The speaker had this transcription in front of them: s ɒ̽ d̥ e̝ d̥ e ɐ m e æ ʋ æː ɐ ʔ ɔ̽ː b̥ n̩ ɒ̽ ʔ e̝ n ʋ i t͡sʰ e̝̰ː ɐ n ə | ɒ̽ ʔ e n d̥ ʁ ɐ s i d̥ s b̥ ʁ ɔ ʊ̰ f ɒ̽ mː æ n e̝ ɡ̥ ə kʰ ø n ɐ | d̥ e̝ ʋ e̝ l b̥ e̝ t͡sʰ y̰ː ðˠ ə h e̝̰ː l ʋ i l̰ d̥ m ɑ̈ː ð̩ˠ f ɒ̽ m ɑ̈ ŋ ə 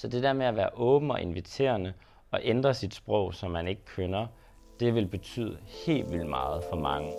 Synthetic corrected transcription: s ɒ̽ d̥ e̝ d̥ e ɐ m e æ ʋ æː ɐ ʔ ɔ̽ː b̥ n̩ ɒ̽ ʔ e̝ n ʋ i t͡sʰ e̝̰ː ɐ n ə | ɒ̽ ʔ e n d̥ ʁ ɐ s i d̥ s b̥ ʁ ɔ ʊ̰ s ɒ̽ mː æ n e̝ ɡ̥ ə kʰ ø n ɐ | d̥ e̝ ʋ e̝ l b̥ e̝ t͡sʰ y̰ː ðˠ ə h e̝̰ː l ʋ i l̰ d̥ m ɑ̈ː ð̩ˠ f ɒ̽ m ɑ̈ ŋ ə